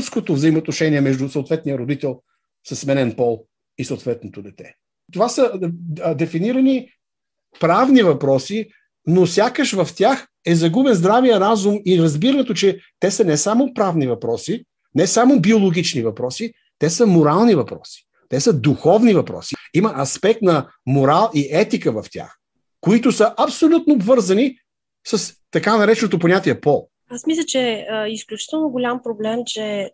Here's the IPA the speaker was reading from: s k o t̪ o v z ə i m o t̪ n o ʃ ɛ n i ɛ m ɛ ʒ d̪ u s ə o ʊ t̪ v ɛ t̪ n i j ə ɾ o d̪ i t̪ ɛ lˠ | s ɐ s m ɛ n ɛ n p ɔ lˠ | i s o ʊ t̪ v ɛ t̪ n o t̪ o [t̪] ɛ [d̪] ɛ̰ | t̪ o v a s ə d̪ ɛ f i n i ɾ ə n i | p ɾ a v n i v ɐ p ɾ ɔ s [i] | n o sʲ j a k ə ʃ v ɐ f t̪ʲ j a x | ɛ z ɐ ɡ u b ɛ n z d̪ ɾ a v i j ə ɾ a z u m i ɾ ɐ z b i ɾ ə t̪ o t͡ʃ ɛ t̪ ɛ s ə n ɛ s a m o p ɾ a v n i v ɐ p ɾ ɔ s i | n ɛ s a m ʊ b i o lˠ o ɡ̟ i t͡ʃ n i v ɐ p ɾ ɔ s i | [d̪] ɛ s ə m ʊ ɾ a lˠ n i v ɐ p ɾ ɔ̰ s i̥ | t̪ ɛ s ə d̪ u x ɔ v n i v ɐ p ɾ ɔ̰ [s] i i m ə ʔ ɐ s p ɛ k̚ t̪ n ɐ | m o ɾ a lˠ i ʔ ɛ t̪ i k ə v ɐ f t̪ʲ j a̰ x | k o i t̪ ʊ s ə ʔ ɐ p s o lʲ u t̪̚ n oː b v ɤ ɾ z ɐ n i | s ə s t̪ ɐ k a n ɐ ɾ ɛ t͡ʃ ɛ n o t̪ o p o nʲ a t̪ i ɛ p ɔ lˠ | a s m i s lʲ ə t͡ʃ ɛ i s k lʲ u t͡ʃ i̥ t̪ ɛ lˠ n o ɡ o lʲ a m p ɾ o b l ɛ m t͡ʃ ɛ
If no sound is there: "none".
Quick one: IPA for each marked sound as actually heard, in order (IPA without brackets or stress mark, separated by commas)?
d̪, t̪, i, t̪, s